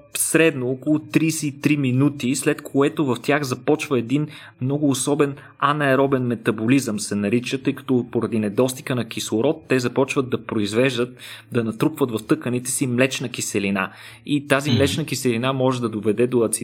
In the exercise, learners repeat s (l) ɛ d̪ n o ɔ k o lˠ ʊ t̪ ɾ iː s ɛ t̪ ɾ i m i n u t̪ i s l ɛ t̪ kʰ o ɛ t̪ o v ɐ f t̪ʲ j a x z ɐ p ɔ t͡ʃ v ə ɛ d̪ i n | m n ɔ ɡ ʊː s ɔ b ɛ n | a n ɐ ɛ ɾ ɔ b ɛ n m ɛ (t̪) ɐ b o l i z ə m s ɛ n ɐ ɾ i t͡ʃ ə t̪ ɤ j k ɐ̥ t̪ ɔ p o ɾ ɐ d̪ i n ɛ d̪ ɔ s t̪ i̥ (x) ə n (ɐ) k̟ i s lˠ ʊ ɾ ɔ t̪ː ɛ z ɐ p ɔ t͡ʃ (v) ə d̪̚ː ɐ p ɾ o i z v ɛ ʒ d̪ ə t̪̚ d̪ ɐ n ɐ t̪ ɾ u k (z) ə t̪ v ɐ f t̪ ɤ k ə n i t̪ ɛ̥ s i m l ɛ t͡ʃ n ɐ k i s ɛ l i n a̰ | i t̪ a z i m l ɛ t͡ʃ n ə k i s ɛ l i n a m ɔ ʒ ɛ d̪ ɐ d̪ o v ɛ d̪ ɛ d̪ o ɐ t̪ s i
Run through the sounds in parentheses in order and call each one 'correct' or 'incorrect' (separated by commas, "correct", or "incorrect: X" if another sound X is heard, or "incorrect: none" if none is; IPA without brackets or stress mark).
incorrect: ɾ, correct, incorrect: k, correct, correct, incorrect: v